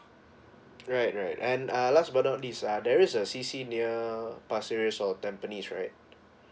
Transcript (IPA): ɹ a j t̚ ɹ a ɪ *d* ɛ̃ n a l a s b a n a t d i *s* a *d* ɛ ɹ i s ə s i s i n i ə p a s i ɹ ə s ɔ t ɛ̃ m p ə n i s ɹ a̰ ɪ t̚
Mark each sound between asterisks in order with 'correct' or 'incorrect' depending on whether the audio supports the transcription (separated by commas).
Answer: incorrect, correct, correct